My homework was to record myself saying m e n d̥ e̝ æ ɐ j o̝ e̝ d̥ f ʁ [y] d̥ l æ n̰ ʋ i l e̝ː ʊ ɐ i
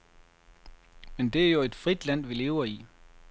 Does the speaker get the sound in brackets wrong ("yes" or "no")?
yes